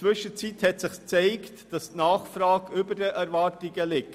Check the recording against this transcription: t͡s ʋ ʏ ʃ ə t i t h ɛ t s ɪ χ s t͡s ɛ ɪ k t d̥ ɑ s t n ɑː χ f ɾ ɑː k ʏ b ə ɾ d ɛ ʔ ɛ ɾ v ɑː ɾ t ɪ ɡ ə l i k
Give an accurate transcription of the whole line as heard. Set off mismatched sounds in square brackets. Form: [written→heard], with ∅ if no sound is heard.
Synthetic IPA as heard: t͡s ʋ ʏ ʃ ə [t→t͡s] i t h ɛ t s ɪ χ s t͡s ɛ ɪ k t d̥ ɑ s t n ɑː χ f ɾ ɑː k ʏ b ə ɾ d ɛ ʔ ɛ ɾ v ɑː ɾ t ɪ ɡ ə l [i→ɪ] k